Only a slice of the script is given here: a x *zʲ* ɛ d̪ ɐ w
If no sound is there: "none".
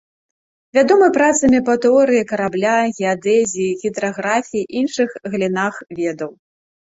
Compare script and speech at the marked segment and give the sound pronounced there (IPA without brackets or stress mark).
vʲ